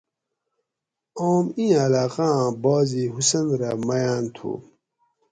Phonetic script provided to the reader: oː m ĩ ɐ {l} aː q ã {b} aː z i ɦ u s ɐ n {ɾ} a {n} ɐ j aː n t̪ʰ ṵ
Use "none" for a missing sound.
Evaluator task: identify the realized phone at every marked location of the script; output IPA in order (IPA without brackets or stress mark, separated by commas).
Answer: l, b, ɾ, m